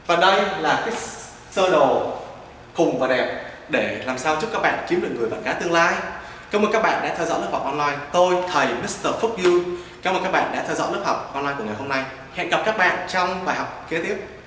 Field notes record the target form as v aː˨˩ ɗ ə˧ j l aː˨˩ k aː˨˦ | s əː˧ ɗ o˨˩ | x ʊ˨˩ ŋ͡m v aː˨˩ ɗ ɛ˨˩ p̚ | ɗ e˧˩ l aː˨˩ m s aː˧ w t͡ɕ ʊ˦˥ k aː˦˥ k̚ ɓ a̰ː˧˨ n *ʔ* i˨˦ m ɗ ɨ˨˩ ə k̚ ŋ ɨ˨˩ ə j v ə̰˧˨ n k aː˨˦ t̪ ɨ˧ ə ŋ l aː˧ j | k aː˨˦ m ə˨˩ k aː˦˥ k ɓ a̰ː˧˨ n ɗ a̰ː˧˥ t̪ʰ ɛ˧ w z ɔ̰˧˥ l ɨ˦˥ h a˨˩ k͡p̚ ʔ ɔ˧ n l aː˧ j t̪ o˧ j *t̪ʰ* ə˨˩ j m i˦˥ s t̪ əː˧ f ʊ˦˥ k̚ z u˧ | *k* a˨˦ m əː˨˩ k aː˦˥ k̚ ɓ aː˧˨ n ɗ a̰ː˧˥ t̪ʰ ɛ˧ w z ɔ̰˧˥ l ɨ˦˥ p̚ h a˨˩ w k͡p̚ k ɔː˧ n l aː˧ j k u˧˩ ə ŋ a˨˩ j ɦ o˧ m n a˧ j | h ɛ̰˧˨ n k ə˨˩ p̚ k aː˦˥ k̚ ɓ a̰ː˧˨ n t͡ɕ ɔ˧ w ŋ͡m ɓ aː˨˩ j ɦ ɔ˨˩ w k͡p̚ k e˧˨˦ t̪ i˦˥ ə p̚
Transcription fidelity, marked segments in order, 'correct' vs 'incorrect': incorrect: k, correct, correct

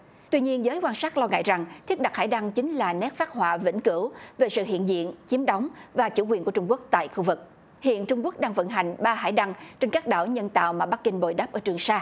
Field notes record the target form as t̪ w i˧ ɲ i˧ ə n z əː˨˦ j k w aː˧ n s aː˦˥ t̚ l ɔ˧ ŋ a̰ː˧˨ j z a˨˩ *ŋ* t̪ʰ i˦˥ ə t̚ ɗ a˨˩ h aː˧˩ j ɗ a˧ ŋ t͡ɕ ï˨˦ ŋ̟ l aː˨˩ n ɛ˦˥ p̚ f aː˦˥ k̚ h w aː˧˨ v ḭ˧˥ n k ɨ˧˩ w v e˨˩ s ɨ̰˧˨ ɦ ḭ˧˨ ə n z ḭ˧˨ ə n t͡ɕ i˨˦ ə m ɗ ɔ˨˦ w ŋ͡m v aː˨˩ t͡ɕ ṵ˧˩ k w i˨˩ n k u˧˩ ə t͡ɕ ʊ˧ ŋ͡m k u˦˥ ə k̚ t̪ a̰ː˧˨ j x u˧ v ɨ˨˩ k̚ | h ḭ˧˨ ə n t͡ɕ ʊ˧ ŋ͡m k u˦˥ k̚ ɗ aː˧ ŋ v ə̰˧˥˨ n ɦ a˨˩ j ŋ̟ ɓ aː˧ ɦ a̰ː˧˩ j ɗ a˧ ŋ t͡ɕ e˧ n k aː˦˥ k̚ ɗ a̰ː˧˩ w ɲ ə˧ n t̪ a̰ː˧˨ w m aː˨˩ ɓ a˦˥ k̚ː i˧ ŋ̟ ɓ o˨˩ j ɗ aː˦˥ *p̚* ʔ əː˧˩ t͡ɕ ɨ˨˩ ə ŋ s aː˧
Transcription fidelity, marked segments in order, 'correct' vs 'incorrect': correct, correct

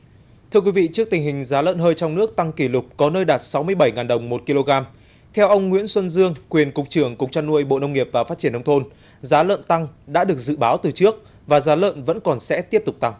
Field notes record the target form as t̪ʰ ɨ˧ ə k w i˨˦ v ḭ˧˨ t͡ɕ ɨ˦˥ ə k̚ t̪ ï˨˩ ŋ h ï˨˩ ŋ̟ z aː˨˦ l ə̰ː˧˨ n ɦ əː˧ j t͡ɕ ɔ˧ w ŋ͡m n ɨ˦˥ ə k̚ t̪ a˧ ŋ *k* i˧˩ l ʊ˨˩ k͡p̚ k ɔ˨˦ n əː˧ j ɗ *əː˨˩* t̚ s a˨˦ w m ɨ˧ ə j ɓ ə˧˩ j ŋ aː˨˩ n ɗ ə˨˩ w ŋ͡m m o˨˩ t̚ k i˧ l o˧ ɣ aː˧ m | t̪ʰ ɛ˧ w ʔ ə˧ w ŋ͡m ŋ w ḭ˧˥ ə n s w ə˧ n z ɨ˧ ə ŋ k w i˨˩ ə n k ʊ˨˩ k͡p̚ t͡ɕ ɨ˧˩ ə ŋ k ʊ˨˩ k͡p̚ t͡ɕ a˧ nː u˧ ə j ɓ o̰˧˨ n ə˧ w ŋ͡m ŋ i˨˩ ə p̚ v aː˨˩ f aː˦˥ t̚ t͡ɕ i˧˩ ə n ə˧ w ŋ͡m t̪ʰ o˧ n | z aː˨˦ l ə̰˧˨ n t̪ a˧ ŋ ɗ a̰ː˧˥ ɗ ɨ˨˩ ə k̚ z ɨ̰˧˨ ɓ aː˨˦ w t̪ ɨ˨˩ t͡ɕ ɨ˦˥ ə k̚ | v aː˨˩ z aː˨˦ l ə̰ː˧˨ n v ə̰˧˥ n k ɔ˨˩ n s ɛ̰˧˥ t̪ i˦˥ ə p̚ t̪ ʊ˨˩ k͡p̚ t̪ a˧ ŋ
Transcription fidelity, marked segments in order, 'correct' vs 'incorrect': correct, incorrect: aː˨˩

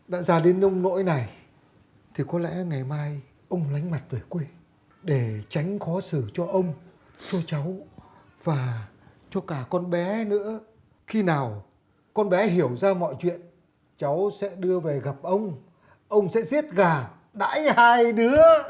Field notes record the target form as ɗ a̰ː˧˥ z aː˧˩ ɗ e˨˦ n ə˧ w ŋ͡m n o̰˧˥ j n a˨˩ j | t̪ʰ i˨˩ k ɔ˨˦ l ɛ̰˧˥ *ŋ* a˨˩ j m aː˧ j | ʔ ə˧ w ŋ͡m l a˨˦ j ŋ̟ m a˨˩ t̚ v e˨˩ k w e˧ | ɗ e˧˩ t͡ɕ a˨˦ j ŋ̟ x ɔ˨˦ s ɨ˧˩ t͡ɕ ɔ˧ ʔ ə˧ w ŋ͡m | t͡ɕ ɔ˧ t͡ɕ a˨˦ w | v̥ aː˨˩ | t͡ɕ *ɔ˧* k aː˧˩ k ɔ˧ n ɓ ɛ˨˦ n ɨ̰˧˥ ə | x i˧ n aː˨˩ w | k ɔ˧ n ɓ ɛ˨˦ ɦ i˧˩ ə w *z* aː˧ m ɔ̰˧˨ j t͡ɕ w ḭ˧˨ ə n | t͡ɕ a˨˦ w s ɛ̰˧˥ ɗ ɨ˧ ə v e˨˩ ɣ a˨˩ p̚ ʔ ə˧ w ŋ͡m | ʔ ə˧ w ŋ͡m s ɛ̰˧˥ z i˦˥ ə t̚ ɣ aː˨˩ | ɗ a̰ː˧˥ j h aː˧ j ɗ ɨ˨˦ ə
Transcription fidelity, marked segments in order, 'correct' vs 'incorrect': correct, correct, correct

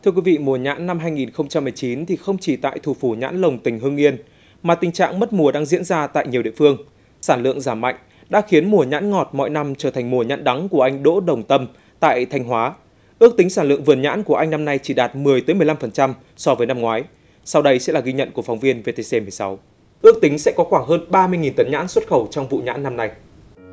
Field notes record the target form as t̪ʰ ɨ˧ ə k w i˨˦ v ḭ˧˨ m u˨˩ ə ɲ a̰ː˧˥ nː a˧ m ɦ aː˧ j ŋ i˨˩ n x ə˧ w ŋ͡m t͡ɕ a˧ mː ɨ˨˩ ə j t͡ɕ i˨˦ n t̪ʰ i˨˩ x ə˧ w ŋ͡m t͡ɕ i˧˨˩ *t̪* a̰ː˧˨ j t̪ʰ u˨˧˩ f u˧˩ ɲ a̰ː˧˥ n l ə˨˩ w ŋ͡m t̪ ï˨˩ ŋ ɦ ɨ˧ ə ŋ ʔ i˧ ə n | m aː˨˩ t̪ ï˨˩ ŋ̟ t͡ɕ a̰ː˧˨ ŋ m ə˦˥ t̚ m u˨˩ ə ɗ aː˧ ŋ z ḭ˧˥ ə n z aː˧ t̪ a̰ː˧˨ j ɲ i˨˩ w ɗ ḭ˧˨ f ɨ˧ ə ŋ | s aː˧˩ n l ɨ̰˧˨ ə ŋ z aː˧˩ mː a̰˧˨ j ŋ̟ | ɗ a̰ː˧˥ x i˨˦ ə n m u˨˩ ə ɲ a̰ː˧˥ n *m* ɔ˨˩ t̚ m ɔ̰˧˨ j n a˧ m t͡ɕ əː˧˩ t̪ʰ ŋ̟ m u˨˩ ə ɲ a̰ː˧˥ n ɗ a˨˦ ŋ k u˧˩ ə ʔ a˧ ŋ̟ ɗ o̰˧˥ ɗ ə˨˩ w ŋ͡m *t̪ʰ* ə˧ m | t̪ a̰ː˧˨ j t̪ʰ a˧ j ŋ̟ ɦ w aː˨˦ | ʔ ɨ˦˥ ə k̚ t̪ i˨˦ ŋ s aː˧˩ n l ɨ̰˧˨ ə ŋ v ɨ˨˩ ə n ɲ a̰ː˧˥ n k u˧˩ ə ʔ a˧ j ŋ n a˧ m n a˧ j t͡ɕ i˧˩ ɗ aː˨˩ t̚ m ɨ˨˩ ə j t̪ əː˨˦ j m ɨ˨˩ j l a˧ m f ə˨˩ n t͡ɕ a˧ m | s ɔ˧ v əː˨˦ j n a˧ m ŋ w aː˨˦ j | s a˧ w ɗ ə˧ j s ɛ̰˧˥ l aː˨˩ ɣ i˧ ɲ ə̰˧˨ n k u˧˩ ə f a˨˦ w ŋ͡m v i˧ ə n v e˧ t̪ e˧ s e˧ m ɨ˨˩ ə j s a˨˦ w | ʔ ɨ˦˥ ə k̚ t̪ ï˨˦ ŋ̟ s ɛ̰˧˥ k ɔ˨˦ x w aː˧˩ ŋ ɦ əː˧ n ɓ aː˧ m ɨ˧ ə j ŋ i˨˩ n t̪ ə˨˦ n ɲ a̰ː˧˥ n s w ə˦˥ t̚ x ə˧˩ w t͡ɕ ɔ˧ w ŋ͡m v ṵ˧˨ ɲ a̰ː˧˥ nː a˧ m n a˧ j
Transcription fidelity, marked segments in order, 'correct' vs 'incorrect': correct, incorrect: ŋ, incorrect: t̪

